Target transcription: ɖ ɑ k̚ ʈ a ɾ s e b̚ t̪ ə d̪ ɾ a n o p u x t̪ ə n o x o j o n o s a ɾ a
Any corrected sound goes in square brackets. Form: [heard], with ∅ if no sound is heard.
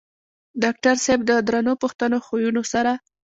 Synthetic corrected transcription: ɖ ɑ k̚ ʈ a ɾ s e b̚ [d̪] ə d̪ ɾ a n o p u x t̪ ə n o x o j [u] n o s a ɾ a